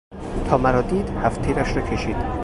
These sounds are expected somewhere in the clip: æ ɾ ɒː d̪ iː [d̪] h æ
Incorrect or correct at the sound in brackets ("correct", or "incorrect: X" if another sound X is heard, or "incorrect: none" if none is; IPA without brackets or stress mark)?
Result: correct